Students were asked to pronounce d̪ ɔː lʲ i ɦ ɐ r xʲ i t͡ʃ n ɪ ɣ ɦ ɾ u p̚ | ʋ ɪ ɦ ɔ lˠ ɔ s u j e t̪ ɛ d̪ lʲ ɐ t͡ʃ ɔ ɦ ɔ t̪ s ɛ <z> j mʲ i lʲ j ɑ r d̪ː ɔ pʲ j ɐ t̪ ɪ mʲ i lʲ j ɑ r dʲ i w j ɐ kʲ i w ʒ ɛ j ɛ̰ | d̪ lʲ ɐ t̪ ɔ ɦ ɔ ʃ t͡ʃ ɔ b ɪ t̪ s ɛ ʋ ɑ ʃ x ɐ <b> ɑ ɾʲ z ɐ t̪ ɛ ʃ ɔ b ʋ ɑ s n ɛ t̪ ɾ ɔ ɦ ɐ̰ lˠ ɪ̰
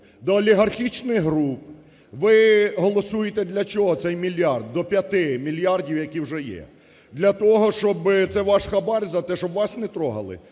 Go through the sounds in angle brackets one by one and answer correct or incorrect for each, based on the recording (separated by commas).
incorrect, correct